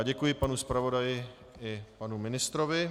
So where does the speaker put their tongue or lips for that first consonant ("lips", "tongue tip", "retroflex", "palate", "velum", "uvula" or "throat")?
palate